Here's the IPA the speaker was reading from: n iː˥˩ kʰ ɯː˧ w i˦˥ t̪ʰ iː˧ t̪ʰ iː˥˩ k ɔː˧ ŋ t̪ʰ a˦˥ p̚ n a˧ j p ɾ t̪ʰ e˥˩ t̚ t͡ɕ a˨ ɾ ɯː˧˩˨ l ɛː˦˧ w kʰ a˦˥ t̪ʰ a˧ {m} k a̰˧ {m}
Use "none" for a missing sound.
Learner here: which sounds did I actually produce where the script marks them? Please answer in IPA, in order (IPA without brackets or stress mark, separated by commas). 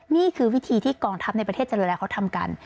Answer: m, n